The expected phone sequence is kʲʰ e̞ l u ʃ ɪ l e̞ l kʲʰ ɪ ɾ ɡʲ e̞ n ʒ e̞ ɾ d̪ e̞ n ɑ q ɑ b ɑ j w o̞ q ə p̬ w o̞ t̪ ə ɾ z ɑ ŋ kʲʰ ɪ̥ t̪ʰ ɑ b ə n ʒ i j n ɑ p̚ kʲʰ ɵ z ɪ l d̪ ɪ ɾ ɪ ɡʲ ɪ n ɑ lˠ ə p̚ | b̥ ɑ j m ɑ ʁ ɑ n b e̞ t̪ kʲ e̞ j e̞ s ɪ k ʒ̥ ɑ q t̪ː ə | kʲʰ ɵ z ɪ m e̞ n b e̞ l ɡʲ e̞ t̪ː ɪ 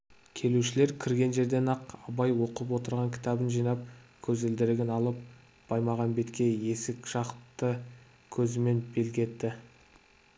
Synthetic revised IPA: kʲʰ e̞ l u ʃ ɪ l e̞ ɾ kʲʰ ɪ ɾ ɡʲ e̞ n ʒ e̞ ɾ d̪ e̞ n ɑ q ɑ b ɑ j w o̞ q ə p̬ w o̞ t̪ ə ɾ ʁ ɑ ŋ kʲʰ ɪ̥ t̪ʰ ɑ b ə n ʒ i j n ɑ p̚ kʲʰ ɵ z ɪ l d̪ ɪ ɾ ɪ ɡʲ ɪ n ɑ lˠ ə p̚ | b̥ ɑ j m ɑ ʁ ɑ n b e̞ t̪ kʲ e̞ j e̞ s ɪ k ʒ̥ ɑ q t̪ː ə | kʲʰ ɵ z ɪ m e̞ n b e̞ l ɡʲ e̞ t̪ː ɪ